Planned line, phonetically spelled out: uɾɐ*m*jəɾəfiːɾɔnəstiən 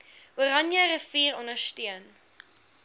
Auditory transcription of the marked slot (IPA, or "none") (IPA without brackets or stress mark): n